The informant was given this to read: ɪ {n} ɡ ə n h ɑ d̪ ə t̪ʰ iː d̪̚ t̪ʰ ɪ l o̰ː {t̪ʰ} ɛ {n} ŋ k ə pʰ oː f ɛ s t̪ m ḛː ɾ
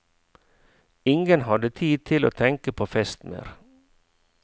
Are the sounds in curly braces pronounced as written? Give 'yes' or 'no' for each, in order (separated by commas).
no, yes, no